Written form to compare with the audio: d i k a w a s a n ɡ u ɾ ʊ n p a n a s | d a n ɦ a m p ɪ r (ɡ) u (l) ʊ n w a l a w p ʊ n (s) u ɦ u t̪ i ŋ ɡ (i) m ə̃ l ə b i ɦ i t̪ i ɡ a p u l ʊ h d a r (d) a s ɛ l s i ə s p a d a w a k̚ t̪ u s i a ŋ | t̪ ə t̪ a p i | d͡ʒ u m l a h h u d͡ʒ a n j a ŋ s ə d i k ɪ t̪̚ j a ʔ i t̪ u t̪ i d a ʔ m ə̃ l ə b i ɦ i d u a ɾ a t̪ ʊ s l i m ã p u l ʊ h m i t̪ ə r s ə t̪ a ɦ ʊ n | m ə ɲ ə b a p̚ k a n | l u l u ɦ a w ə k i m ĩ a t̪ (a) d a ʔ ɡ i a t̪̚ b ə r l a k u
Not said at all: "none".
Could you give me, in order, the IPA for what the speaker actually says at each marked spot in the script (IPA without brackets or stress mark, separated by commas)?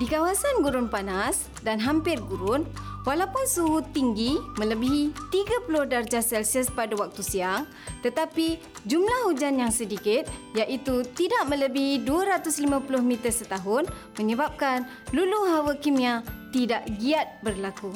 ɡ, ɾ, s, i, d͡ʒ, i